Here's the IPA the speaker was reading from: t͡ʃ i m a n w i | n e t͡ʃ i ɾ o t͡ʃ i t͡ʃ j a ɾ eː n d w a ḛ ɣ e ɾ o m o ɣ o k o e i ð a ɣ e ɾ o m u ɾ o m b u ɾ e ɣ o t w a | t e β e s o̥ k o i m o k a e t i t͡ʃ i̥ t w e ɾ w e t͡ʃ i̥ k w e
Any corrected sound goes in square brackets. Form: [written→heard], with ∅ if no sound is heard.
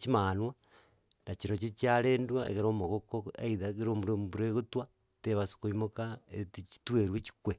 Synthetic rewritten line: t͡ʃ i m a n w [i→a] | n [e→a] t͡ʃ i ɾ o t͡ʃ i t͡ʃ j a ɾ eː n d w a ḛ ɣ e ɾ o m o ɣ o k o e i ð a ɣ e ɾ o m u ɾ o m b u ɾ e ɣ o t w a | t e β [e→a] s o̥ k o i m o k a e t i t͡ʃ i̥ t w e ɾ w e t͡ʃ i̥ k w e